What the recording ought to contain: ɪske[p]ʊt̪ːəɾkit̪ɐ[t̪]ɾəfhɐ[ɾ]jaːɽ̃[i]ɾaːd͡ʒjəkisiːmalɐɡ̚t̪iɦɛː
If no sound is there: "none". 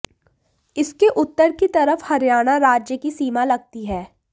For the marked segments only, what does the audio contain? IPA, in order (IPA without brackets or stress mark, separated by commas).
ʔ, none, ɾ, a